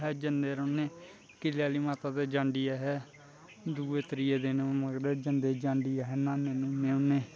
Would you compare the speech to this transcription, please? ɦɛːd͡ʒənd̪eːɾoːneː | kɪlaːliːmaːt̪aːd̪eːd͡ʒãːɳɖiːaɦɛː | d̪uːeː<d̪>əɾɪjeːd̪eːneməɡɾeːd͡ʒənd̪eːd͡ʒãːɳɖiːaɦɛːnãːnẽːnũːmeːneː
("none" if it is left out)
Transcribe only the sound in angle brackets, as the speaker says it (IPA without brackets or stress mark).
t̪